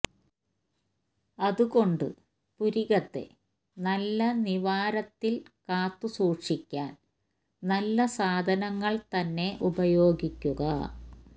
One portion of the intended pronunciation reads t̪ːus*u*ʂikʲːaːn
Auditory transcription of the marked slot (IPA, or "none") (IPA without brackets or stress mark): uː